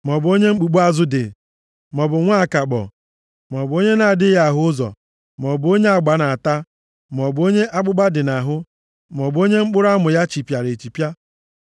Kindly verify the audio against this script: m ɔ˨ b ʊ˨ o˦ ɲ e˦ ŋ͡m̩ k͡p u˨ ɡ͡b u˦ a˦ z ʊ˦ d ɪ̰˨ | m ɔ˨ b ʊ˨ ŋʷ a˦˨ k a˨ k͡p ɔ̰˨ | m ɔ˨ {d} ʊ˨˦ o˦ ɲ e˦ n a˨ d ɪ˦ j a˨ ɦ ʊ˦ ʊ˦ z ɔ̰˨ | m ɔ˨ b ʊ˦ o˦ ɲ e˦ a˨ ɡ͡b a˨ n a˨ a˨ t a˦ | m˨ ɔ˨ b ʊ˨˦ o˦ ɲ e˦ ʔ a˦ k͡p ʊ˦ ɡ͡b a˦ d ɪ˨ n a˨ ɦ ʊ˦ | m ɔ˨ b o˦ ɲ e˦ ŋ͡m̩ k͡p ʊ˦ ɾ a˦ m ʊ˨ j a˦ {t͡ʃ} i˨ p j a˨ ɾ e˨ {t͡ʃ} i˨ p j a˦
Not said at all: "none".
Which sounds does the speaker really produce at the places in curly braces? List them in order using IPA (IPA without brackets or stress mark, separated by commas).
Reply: b, t͡ʃ, t͡ʃ